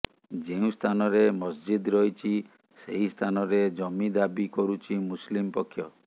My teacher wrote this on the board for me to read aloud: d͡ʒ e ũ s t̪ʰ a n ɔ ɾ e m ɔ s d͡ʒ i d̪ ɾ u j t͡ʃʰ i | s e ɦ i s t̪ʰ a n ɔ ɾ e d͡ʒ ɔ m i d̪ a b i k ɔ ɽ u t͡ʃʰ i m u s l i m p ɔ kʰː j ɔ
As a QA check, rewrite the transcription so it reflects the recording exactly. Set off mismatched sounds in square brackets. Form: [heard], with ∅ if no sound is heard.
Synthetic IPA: d͡ʒ e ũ s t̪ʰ a n ɔ ɾ e m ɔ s d͡ʒ i d̪ ɾ [ɔ] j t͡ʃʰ i | s e ɦ i s t̪ʰ a n ɔ ɾ e d͡ʒ ɔ m i d̪ a b i k ɔ [ɾ] u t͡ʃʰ i m u s l i m p ɔ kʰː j ɔ

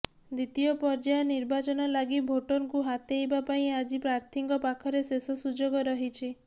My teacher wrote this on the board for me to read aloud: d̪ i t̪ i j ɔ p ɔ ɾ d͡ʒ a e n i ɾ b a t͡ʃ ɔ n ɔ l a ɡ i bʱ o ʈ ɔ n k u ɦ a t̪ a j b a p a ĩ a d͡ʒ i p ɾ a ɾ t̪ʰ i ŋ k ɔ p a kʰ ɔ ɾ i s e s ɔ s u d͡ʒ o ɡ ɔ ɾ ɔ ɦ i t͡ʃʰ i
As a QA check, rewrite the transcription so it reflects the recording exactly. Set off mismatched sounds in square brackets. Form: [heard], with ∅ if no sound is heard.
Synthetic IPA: d̪ i t̪ i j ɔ p ɔ ɾ d͡ʒ a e n i ɾ b a t͡ʃ ɔ n ɔ l a ɡ i bʱ o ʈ ɔ n k u ɦ a t̪ [e] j b a p a ĩ a d͡ʒ i p ɾ a ɾ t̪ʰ i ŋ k ɔ p a kʰ ɔ ɾ [e] s e s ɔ s u d͡ʒ o ɡ ɔ ɾ ɔ ɦ i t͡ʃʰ i

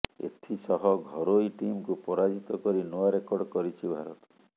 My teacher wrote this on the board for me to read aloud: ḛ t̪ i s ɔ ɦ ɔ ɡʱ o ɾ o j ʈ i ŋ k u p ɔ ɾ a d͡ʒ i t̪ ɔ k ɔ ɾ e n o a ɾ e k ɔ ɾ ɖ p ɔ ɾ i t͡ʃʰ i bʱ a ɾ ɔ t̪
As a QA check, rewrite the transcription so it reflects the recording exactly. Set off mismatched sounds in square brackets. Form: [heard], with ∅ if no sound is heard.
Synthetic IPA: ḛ [t̪ʰ] i s ɔ ɦ ɔ ɡʱ [ɔ] ɾ o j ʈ i [m] k u p ɔ ɾ a d͡ʒ i t̪ ɔ k ɔ ɾ [i] n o a ɾ e k ɔ ɾ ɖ [k] ɔ ɾ i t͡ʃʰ i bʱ a ɾ ɔ t̪

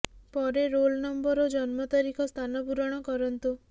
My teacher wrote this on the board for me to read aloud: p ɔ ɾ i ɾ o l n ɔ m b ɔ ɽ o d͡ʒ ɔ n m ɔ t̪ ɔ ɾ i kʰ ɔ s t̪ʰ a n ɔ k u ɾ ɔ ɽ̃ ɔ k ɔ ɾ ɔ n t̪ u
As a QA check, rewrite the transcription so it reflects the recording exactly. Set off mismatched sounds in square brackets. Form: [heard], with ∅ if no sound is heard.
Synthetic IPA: p ɔ ɾ [e] ɾ o l n ɔ m b ɔ [ɾ] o d͡ʒ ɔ n m ɔ t̪ ɔ ɾ i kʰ ɔ s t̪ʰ a n ɔ [p] u ɾ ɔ ɽ̃ ɔ k ɔ ɾ ɔ n t̪ u

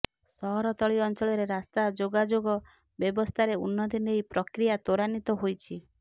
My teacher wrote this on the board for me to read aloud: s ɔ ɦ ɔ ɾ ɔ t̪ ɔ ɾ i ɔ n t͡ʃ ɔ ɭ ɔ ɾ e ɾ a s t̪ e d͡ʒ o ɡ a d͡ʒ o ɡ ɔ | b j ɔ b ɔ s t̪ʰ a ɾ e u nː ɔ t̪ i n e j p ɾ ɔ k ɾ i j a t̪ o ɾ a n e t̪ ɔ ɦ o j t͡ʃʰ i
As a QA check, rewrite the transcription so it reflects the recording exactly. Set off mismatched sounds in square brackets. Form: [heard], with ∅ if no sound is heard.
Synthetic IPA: s ɔ ɦ ɔ ɾ ɔ t̪ ɔ [ɭ] i ɔ n t͡ʃ ɔ ɭ ɔ ɾ e ɾ a s t̪ [a] d͡ʒ o ɡ a d͡ʒ o ɡ ɔ | b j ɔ b ɔ s t̪ʰ a ɾ e u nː ɔ t̪ i n e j p ɾ ɔ k ɾ i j a t̪ o ɾ a n [i] t̪ ɔ ɦ o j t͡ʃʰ i

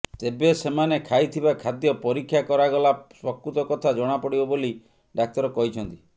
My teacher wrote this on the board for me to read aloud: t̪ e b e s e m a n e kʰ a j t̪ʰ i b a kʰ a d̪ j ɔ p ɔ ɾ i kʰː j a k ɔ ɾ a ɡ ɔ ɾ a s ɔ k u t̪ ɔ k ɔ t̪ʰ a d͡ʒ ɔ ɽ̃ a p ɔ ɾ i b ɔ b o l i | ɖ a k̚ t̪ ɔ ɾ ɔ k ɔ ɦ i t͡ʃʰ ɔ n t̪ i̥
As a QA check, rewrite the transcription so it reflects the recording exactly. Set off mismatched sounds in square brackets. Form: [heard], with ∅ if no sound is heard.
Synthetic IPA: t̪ e b e s e m a n e kʰ a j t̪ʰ i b a kʰ a d̪ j ɔ p ɔ ɾ i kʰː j a k ɔ ɾ a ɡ ɔ [l] a s ɔ k u t̪ ɔ k ɔ t̪ʰ a d͡ʒ ɔ ɽ̃ a p ɔ [ɽ] i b ɔ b o l i | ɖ a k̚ t̪ ɔ ɾ ɔ k ɔ ɦ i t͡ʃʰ ɔ n t̪ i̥

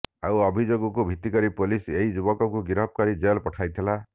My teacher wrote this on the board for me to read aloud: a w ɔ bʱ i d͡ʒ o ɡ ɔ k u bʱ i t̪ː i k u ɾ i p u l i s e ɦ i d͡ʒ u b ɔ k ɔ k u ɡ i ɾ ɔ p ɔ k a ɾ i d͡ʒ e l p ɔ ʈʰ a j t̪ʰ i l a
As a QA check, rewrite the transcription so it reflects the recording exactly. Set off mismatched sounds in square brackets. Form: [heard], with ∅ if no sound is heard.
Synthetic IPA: a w ɔ bʱ i d͡ʒ o ɡ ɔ k u bʱ i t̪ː i k [ɔ] ɾ i p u l i s e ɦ i d͡ʒ u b ɔ k ɔ k u ɡ i ɾ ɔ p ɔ k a ɾ i d͡ʒ e l p ɔ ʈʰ a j t̪ʰ i l a

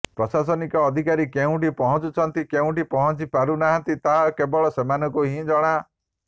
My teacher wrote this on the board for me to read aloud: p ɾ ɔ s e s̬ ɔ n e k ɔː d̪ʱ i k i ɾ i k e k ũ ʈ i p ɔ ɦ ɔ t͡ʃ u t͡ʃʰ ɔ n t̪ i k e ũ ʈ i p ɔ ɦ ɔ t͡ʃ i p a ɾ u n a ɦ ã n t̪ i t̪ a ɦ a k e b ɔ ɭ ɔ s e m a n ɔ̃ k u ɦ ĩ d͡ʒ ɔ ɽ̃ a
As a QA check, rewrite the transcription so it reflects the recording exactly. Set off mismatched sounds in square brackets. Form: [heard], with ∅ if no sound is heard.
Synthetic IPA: p ɾ ɔ s [a] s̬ ɔ n [i] k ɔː d̪ʱ i k [a] ɾ i k e [∅] ũ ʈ i p ɔ ɦ ɔ t͡ʃ u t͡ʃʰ ɔ n t̪ i k e ũ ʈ i p ɔ ɦ ɔ t͡ʃ i p a ɾ u n a ɦ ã n t̪ i t̪ a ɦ a k e b ɔ ɭ ɔ s e m a n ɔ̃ k u ɦ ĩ d͡ʒ ɔ ɽ̃ a

